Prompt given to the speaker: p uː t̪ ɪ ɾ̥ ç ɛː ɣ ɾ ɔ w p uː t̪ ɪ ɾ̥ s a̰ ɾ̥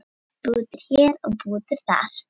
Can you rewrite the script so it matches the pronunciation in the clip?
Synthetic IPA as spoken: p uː t̪ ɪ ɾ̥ ç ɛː ɾ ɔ ɣ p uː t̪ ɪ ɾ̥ θ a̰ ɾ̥